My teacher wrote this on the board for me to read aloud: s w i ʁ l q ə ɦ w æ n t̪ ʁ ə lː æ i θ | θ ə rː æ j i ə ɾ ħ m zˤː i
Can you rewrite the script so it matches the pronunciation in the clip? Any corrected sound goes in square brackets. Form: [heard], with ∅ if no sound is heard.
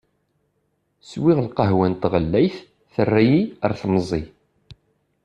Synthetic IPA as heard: s w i ʁ l q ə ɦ w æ n t̪ ʁ ə lː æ [j] θ | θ ə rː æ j i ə ɾ [θ] m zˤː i